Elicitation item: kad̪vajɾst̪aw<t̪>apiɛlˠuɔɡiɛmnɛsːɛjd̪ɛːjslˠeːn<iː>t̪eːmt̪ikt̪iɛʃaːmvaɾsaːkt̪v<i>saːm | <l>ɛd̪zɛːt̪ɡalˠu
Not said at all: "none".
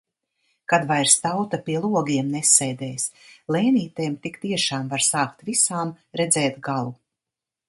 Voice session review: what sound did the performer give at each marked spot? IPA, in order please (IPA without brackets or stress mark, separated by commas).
t̪, iː, i, ɾ